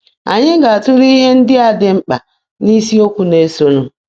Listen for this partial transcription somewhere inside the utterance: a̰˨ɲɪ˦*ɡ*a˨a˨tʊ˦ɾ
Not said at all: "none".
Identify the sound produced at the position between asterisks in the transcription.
ɡ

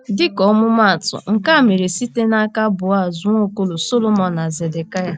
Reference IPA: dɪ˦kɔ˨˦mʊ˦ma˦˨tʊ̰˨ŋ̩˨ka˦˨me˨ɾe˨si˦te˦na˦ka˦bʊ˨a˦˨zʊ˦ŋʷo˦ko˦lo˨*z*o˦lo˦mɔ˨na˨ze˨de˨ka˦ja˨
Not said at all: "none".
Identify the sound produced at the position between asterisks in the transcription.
s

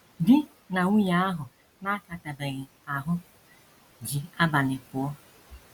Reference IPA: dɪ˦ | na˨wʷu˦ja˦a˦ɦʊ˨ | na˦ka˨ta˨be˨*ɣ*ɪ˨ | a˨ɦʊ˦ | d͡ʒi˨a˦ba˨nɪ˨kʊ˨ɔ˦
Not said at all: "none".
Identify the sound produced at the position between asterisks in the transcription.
ɣ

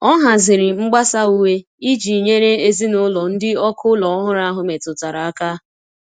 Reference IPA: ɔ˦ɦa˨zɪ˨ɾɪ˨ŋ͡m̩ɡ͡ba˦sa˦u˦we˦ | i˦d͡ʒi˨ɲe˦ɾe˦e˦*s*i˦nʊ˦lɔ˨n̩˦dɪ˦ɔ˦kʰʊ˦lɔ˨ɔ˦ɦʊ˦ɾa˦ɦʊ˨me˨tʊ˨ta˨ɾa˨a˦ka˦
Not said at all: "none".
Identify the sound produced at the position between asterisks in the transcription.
z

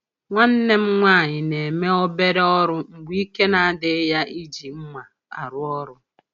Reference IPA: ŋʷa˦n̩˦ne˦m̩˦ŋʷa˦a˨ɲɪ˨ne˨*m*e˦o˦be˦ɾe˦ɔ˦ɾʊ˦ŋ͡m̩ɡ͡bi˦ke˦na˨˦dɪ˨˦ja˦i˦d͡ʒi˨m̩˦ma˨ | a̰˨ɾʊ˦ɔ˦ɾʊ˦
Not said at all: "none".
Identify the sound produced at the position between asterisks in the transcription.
m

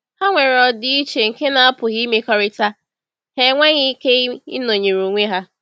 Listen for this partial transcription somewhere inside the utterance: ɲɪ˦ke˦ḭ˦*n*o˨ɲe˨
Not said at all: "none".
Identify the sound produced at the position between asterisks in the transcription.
n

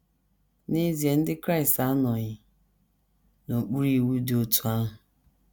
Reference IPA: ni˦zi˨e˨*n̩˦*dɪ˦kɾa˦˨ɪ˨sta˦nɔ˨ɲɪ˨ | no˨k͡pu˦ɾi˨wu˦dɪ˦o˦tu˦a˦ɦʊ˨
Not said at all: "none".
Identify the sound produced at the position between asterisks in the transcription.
n̩˦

